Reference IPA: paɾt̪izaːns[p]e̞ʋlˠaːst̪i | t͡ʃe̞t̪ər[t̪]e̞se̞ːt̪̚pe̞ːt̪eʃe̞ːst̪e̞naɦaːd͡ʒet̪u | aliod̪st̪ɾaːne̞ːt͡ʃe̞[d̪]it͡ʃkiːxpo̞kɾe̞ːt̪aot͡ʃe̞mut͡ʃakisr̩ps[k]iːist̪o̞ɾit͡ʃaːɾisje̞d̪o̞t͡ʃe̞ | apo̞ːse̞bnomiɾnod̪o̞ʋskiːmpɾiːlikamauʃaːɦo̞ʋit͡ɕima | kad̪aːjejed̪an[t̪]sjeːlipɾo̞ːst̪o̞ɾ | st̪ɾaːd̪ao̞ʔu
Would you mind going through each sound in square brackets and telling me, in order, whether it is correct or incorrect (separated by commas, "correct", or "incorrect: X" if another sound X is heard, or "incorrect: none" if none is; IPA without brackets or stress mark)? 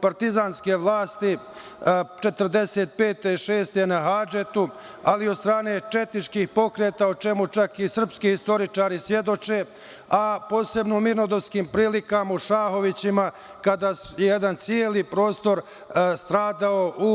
incorrect: k, incorrect: d̪, incorrect: t̪, correct, correct